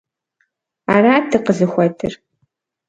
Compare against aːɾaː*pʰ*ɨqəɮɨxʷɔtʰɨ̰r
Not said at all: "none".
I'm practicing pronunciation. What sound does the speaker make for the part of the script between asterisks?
tʰ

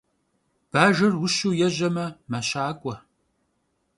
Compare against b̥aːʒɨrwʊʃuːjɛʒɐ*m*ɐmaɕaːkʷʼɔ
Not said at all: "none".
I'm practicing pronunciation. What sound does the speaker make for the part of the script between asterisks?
m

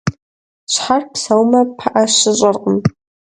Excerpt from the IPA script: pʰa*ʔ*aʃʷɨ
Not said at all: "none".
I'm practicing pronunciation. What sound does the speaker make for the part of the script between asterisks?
ʔ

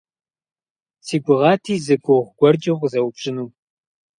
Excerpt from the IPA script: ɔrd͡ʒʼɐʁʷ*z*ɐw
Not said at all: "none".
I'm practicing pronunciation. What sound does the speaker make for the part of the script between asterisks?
z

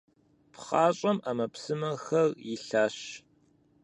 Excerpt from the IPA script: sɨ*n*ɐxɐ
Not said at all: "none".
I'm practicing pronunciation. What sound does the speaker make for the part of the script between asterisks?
m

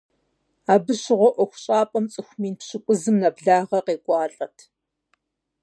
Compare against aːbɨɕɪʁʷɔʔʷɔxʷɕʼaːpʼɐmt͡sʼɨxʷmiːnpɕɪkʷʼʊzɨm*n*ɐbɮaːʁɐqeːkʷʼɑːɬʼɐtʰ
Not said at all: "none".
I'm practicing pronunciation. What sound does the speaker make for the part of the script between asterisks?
n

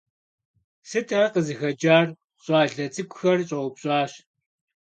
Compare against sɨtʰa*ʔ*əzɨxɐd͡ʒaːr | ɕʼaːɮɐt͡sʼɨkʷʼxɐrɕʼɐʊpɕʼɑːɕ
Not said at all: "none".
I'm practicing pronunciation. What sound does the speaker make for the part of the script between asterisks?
q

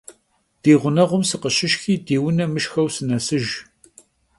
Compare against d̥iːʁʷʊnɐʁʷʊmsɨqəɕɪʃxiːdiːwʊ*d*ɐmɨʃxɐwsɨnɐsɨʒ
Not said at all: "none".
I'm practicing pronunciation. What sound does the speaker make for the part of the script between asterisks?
n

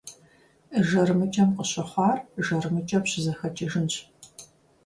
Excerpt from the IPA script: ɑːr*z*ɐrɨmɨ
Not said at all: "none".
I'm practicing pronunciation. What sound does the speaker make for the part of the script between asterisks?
ʒ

